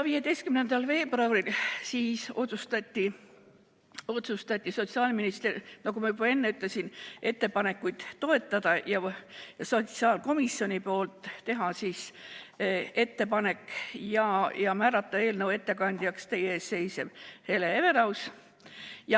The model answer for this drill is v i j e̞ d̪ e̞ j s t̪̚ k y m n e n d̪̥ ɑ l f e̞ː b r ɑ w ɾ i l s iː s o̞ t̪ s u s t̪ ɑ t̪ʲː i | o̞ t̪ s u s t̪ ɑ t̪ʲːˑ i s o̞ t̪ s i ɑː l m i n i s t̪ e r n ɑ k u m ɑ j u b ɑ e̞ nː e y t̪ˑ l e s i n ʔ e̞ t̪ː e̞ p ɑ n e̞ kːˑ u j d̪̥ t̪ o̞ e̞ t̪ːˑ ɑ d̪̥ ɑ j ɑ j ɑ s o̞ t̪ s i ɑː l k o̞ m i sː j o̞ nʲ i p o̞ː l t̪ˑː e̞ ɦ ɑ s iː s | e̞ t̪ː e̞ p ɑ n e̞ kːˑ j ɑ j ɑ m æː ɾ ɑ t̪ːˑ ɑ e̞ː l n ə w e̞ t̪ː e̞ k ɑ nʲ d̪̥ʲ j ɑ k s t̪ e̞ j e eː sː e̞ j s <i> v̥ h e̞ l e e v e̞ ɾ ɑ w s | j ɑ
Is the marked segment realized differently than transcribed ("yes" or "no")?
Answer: yes